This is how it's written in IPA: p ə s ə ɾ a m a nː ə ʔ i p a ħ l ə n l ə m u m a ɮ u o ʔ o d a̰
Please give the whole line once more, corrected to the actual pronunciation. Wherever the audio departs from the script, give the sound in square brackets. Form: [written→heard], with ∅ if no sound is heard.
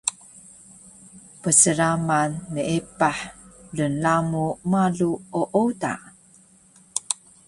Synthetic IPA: p ə s ə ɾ a m a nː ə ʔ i p a ħ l ə n l [ə→a] m u m a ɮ u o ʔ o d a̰